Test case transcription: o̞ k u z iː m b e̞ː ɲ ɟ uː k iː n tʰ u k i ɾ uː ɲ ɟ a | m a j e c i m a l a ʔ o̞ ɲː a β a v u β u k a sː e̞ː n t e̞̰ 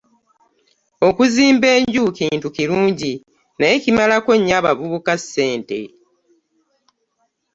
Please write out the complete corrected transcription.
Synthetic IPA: o̞ k u z iː m b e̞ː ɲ ɟ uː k iː n t u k i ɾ uː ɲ ɟ i | n a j e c i m a l a k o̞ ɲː a β a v u β u k a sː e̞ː n t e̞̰